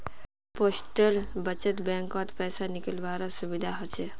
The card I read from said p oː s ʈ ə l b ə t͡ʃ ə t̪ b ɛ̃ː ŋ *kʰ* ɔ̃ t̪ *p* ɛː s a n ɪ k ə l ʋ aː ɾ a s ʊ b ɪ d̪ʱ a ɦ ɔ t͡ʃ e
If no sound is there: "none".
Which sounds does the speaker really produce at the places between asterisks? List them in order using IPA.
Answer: k, p

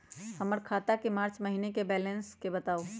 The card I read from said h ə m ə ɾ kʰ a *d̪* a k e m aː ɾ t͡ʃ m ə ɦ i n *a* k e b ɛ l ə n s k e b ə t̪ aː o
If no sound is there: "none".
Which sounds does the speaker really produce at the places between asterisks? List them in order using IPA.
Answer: t̪, e

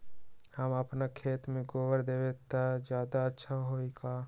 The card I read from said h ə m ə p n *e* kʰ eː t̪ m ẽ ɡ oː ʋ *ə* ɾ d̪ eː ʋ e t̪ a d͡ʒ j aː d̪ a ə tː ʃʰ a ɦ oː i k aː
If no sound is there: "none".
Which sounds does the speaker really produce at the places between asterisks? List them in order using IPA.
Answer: a, ə

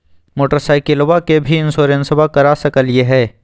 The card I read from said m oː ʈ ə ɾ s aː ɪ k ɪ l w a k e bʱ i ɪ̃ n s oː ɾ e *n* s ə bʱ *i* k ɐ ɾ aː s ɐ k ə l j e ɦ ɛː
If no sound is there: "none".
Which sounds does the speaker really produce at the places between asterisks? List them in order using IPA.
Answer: n, a

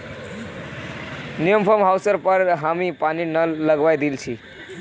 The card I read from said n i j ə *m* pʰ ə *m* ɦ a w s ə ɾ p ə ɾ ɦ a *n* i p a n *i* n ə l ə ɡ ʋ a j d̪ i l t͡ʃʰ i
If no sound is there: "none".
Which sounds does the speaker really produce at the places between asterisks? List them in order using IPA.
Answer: m, m, m, i

